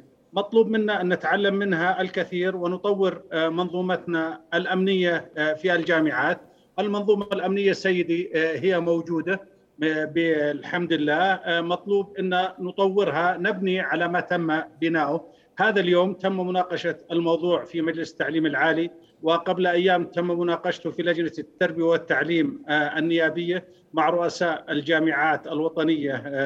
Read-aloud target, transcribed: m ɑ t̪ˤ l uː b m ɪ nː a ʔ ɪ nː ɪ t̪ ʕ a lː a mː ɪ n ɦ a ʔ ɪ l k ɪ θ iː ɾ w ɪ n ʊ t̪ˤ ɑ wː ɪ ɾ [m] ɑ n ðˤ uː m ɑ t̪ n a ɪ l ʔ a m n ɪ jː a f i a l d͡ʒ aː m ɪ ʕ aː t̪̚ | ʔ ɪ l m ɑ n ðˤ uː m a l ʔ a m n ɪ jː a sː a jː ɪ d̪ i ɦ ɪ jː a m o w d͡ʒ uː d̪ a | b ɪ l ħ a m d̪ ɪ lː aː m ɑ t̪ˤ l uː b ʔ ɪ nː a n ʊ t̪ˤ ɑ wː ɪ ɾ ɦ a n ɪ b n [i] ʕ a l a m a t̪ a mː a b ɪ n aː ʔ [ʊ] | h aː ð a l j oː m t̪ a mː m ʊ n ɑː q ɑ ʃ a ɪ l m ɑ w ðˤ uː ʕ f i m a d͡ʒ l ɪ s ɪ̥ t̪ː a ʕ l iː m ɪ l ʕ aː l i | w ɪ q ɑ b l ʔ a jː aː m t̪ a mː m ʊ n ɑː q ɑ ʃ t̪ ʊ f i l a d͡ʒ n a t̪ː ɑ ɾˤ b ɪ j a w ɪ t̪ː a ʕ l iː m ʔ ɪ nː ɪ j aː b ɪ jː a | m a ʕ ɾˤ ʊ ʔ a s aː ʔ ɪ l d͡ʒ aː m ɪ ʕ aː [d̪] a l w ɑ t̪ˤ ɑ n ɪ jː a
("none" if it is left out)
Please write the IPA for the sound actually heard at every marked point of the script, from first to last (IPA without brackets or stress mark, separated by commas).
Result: m, i, ʊ, t̪